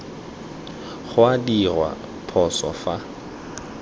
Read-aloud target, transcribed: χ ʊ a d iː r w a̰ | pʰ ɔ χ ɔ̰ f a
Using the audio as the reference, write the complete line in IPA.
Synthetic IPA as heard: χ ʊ a d i r w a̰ | pʰ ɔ s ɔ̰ f a